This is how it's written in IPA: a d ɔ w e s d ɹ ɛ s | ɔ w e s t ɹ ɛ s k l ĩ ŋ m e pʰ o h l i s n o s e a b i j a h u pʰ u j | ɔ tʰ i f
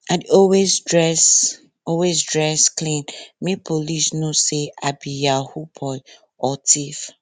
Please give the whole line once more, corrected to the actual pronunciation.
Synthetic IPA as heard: a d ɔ w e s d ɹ ɛ s | ɔ w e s d ɹ ɛ s k l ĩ n m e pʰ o l i s n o s e a b i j a h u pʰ ɔ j | ɔ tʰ i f